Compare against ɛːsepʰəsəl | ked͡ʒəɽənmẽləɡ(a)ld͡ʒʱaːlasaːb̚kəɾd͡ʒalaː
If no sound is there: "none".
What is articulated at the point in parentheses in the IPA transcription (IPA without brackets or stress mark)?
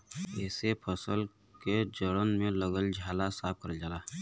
ə